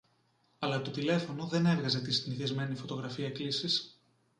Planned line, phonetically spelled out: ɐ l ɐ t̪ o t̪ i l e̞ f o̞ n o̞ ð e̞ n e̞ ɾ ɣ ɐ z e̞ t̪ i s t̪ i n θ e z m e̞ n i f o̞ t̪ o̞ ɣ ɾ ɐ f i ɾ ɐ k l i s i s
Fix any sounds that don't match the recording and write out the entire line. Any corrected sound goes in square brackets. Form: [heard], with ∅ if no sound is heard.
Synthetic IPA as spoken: ɐ l ɐ t̪ o t̪ i l e̞ f o̞ n o̞ ð e̞ n e̞ ɾ ɣ ɐ z e̞ t̪ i s t̪ i n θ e z m e̞ n i f o̞ t̪ o̞ ɣ ɾ ɐ f i [∅] ɐ k l i s i s